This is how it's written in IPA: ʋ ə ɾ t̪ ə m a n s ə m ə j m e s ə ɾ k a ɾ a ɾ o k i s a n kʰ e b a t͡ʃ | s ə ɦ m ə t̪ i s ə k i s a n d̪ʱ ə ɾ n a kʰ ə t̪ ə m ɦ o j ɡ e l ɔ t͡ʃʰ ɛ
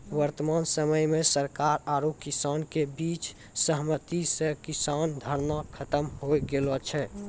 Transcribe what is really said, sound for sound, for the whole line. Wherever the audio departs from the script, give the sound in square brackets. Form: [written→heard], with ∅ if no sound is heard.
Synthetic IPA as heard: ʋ ə ɾ t̪ ə m a n s ə m ə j m e s ə ɾ k a ɾ a ɾ o k i s a n [kʰ→k] e b [a→i] t͡ʃ | s ə ɦ m ə t̪ i s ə k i s a n d̪ʱ ə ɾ n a kʰ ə t̪ ə m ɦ o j ɡ e l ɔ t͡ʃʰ ɛ